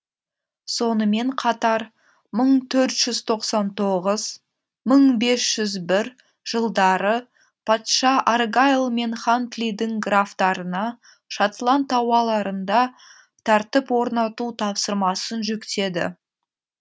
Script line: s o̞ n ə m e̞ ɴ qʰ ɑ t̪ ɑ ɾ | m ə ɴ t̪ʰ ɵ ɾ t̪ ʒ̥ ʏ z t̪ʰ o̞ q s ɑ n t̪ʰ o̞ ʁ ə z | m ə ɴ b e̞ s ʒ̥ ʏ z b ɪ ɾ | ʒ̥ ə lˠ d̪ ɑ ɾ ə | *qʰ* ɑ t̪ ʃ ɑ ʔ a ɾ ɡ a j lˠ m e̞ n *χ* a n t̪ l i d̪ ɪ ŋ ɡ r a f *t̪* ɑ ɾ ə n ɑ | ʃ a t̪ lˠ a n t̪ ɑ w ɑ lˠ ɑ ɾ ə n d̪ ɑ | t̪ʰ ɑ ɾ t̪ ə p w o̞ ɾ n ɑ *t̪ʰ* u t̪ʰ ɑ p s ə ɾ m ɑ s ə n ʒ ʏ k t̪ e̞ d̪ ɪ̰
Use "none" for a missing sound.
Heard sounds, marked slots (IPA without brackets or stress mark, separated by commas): pʰ, χ, t̪, t̪